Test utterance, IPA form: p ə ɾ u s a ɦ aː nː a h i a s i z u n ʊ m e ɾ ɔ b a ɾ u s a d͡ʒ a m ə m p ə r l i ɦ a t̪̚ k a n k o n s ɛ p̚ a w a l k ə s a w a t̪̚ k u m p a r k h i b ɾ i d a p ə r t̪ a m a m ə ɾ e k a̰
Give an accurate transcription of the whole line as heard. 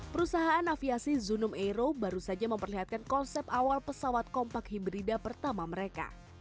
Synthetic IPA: p ə ɾ u s a ɦ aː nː a f i a s i z u n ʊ m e ɾ o b a ɾ u s a d͡ʒ a m ə m p ə r l i ɦ a t̪̚ k a n k ɔ n s ɛ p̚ a w a l p ə s a w a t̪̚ k ɔ m p a k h i b ɾ i d a p ə r t̪ a m a m ə ɾ e k a̰